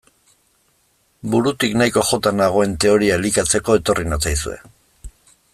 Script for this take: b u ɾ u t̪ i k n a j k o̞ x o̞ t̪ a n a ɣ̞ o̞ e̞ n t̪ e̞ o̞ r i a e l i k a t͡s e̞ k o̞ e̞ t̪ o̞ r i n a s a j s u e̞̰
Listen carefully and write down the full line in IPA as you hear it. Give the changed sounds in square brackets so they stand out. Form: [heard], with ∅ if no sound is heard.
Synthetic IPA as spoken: b u ɾ u t̪ i k n a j k o̞ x o̞ t̪ a n a ɣ̞ o̞ e̞ n t̪ e̞ o̞ [ɾ] i a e l i k a t͡s e̞ k o̞ e̞ t̪ o̞ r i n a [t͡s] a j s u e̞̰